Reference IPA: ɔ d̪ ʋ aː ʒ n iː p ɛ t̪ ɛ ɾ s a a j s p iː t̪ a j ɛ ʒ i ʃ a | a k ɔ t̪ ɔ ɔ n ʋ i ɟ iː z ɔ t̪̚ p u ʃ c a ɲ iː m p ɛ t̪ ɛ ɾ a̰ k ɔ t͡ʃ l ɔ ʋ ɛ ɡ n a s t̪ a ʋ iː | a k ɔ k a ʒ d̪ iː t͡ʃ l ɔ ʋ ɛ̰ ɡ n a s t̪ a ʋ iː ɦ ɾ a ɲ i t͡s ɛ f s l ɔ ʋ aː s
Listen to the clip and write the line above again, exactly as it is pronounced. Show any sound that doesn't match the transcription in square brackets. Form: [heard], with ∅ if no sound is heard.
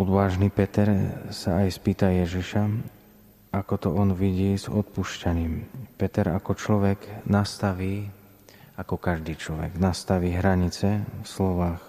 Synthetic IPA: ɔ d̪ ʋ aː ʒ n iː p ɛ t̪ ɛ ɾ s a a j s p iː t̪ a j ɛ ʒ i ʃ a | a k ɔ t̪ ɔ ɔ n ʋ i ɟ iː z ɔ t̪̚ p u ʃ c a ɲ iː m p ɛ t̪ ɛ ɾ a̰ k ɔ t͡ʃ l ɔ ʋ ɛ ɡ n a s t̪ a ʋ iː | a k ɔ k a ʒ d̪ iː t͡ʃ l ɔ ʋ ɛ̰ ɡ n a s t̪ a ʋ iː ɦ ɾ a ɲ i t͡s ɛ f s l ɔ ʋ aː [x]